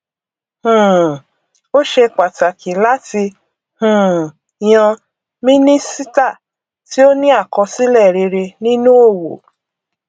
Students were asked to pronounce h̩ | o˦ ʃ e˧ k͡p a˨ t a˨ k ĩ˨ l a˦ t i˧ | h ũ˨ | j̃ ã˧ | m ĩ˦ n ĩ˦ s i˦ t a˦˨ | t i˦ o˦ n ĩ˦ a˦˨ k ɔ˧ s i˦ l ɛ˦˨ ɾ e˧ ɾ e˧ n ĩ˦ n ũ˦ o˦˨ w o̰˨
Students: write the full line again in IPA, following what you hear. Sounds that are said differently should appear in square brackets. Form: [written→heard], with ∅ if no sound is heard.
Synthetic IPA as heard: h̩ | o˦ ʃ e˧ k͡p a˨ t a˨ k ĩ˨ l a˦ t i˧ | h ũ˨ | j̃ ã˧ | m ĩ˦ n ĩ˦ s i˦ t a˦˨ | t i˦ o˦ n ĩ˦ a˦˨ k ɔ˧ s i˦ l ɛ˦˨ ɾ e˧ ɾ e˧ n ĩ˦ n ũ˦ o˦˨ w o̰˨

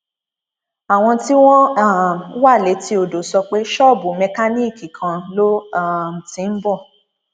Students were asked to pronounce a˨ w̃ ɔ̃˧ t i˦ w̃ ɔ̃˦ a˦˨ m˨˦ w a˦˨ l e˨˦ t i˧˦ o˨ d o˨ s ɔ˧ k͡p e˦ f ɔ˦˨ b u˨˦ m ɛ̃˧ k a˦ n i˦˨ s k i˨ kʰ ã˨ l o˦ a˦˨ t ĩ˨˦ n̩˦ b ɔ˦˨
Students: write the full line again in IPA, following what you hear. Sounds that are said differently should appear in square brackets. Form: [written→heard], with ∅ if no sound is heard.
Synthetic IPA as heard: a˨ w̃ ɔ̃˧ t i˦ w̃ ɔ̃˦ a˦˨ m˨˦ w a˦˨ l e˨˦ t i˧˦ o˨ d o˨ s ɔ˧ k͡p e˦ [f→ʃ] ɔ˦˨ b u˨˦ m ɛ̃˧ k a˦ n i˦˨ [s→∅] k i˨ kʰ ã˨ l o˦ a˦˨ t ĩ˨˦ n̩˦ b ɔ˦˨

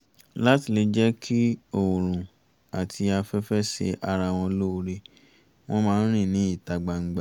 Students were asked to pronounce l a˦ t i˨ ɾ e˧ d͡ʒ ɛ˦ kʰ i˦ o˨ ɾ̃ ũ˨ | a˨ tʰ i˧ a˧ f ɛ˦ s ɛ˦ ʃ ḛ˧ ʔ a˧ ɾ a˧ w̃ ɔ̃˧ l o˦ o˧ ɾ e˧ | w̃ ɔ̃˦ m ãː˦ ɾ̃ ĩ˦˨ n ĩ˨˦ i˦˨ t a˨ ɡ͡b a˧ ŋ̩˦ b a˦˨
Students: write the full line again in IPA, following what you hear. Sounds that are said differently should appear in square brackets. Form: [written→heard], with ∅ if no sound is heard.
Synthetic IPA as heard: l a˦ t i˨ [ɾ→l] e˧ d͡ʒ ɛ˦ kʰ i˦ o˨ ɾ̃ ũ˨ | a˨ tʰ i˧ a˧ f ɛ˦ [s→f] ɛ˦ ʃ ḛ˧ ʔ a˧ ɾ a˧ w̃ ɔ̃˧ l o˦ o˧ ɾ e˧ | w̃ ɔ̃˦ m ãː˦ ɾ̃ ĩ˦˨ n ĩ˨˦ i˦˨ t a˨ ɡ͡b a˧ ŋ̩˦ [b→ɡ͡b] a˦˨

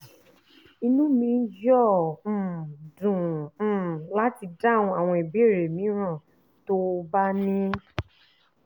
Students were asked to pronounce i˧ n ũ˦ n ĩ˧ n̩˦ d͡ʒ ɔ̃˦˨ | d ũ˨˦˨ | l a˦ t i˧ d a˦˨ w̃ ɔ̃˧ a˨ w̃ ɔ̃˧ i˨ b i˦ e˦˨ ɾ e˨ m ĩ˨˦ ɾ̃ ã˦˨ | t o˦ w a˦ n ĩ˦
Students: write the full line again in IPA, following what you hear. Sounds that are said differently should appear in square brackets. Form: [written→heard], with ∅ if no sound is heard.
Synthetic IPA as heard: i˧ n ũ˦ [n→m] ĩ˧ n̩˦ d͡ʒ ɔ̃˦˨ | d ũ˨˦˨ | l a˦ t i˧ d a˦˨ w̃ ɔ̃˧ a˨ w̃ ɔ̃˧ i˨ b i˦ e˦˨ ɾ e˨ m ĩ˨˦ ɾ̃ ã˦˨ | t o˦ [w→b] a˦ n ĩ˦

